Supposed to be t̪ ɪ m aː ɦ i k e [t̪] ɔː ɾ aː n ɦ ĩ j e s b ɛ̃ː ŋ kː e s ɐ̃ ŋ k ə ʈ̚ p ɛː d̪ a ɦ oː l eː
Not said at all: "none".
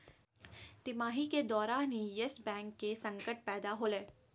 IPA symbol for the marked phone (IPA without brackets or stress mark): d̪